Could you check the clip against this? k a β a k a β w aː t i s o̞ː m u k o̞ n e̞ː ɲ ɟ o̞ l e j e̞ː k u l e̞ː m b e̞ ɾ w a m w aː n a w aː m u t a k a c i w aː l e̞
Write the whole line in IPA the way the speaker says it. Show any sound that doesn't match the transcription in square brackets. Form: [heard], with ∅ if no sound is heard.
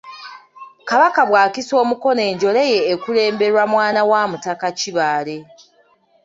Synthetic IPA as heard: k a β a k a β w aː [k] i s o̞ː m u k o̞ n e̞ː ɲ ɟ o̞ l e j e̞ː k u l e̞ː m b e̞ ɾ w a m w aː n a w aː m u t a k a c i [β] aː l e̞